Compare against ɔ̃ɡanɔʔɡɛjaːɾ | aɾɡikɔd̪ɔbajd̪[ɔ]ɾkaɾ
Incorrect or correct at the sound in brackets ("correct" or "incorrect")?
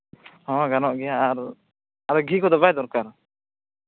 correct